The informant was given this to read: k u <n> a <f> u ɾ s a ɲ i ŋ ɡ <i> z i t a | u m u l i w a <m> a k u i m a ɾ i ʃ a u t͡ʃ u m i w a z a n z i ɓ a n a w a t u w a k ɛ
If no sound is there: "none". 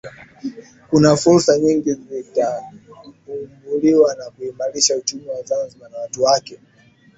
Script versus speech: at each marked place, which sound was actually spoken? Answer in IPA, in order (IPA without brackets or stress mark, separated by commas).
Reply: n, f, i, n